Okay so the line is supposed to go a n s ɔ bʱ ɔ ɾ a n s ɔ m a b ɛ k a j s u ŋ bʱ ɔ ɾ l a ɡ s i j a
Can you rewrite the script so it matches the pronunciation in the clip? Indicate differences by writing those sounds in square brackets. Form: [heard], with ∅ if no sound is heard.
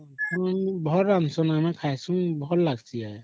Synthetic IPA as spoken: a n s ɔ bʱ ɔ ɾ a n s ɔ [n] a [m] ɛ [kʰ] a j s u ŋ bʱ ɔ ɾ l a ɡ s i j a